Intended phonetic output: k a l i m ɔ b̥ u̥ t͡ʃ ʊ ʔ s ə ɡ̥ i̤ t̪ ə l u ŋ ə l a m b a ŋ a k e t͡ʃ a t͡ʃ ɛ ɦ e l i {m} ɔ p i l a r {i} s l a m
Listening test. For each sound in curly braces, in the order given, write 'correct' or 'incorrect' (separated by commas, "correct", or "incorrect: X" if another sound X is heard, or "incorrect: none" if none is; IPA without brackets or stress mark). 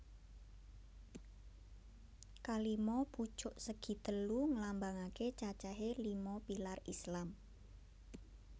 correct, correct